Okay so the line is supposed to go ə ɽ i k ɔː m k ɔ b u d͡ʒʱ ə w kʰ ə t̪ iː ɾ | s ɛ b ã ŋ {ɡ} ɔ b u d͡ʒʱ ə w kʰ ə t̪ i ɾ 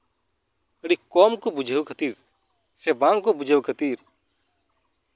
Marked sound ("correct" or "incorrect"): incorrect